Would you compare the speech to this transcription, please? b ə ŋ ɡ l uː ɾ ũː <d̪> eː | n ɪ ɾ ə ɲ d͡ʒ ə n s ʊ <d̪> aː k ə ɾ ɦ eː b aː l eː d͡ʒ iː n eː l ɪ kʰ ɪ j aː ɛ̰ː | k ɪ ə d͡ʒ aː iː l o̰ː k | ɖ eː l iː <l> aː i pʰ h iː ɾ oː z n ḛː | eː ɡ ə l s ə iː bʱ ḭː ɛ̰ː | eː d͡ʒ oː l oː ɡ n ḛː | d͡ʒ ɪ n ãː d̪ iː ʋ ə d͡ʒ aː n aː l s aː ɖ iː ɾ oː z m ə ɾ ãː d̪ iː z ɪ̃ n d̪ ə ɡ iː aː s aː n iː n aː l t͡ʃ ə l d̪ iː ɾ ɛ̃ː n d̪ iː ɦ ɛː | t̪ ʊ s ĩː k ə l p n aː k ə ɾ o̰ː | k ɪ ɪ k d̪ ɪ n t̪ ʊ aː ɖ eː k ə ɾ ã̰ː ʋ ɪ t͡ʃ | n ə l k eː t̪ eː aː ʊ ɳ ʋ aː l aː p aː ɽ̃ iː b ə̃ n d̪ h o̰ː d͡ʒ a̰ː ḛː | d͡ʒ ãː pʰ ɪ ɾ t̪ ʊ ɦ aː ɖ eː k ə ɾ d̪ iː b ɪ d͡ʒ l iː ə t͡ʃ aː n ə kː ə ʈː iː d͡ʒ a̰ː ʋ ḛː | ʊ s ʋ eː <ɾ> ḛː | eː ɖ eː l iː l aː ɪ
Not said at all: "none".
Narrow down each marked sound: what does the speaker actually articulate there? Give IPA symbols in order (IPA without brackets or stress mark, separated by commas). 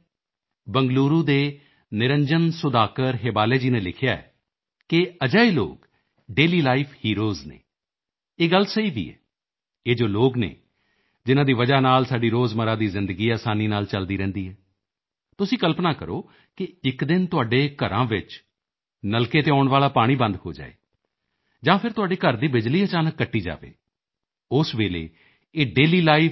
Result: d̪, d̪, l, l